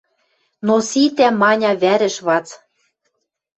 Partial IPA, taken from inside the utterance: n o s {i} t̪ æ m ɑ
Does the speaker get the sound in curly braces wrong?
no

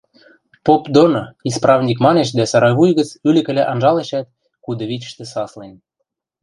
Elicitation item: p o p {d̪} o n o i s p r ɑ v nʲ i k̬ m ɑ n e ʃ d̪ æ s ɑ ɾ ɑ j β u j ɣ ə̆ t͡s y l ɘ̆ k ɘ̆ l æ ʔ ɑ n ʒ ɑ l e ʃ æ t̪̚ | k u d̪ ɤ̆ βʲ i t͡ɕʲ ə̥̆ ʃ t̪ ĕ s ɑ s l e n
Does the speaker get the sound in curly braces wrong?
no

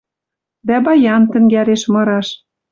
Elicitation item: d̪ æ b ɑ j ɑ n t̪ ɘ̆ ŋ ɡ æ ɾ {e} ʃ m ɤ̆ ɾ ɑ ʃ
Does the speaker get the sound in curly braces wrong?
no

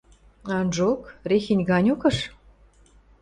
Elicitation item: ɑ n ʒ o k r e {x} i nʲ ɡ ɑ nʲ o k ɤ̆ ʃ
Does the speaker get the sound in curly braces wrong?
no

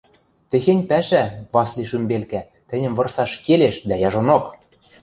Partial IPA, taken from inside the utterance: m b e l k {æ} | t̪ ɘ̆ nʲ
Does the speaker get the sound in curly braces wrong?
no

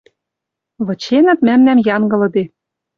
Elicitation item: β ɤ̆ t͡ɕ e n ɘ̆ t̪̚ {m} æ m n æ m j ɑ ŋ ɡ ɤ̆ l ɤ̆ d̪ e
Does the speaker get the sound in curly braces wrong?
no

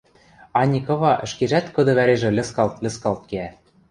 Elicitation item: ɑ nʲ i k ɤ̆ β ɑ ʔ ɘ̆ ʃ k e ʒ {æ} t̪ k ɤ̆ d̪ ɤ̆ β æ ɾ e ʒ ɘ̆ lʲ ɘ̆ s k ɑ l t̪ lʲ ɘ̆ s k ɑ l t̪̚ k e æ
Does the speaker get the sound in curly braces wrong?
no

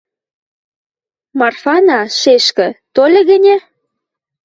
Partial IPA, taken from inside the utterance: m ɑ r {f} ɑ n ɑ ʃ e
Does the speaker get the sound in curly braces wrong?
no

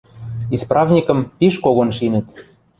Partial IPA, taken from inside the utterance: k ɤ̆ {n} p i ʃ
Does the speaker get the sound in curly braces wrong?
yes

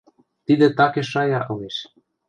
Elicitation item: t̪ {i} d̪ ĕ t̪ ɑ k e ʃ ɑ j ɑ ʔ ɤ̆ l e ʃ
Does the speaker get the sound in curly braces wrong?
no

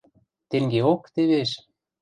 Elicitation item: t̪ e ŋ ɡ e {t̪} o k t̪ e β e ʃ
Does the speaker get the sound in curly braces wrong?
yes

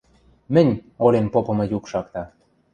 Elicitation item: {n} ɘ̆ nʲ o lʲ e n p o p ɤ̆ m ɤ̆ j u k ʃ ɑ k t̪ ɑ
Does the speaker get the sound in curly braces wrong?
yes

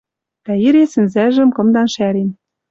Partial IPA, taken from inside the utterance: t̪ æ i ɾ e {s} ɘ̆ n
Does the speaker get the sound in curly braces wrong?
no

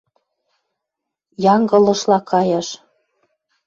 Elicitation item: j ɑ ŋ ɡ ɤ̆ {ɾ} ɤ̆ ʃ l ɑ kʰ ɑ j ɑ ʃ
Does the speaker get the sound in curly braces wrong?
yes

